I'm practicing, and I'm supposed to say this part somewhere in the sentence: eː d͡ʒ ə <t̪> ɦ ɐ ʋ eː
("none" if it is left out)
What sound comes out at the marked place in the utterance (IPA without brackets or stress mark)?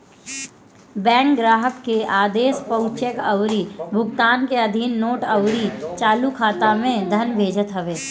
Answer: t̪